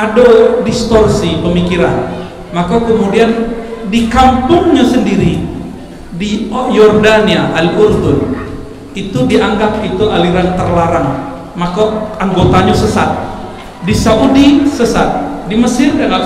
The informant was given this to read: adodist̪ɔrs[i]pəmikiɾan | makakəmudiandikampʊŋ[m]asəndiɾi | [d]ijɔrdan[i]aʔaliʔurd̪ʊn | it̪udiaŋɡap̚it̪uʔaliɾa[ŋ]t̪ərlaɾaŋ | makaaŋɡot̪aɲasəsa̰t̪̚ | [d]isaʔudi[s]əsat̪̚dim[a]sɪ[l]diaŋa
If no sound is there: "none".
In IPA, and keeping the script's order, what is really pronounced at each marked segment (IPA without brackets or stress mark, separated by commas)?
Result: i, ɲ, d, i, n, d, s, ə, r